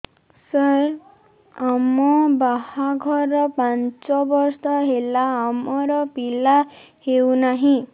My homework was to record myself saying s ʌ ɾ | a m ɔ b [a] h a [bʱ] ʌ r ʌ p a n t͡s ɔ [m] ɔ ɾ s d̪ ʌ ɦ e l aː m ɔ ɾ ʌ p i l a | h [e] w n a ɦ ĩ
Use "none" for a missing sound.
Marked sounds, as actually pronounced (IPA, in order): a, ɡʱ, b, e

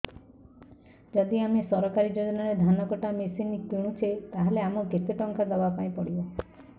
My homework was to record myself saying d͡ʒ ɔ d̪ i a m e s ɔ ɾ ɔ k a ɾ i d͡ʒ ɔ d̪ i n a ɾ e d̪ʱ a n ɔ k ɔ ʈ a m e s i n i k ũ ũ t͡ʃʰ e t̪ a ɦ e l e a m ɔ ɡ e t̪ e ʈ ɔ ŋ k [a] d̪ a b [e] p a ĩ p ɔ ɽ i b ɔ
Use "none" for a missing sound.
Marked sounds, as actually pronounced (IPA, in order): a, a

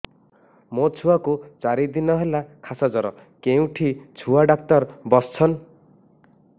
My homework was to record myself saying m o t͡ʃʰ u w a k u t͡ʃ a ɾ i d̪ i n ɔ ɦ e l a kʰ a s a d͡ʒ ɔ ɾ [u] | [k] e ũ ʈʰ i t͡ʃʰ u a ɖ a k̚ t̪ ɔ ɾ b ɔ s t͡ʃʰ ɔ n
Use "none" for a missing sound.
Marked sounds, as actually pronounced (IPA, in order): ɔ, k

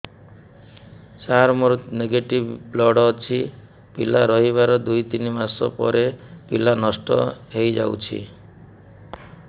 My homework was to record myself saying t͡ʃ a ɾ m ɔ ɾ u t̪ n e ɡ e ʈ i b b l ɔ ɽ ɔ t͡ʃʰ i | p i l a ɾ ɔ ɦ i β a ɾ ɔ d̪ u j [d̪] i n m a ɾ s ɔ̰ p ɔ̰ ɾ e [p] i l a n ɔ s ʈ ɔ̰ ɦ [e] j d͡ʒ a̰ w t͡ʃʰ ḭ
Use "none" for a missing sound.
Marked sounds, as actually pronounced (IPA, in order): t̪, p, e

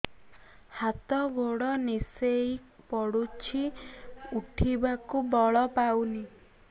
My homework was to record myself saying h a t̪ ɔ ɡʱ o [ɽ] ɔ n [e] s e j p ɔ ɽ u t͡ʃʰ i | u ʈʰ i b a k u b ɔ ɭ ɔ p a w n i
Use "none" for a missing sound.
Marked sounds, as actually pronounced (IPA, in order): ɽ, i

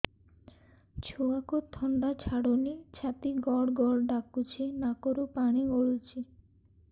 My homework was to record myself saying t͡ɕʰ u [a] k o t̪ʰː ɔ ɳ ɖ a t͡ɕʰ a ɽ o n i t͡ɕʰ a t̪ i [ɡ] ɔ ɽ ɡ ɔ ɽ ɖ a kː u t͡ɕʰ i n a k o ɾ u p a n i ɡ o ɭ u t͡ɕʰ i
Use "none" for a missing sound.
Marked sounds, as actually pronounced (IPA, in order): a, ɡ

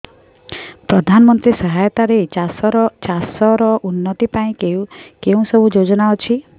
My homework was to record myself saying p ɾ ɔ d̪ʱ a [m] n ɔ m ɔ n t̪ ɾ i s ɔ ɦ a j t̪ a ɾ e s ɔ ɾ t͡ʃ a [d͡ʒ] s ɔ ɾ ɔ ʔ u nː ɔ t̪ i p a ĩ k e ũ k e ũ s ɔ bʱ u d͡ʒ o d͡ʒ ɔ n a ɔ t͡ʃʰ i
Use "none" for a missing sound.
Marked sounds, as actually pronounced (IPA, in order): none, none

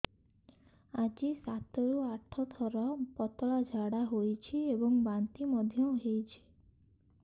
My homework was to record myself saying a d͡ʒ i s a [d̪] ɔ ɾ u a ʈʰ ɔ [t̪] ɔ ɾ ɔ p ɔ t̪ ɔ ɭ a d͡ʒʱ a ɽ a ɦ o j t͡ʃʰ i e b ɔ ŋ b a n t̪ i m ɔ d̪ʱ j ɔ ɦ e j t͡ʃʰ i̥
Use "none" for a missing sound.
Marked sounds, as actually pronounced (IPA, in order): t̪, t̪ʰ

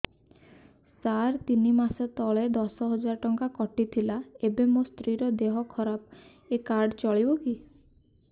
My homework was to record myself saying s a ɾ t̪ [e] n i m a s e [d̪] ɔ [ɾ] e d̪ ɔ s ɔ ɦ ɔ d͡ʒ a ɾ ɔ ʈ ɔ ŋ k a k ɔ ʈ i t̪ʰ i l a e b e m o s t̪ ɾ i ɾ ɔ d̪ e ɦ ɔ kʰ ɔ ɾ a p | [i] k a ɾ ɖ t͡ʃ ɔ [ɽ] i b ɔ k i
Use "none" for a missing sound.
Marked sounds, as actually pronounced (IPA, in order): i, t̪, ɭ, e, ɭ

